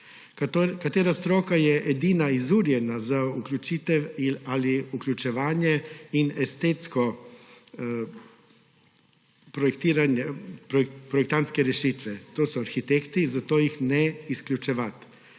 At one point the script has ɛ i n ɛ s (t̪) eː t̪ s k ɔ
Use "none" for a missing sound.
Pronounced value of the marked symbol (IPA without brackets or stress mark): t̪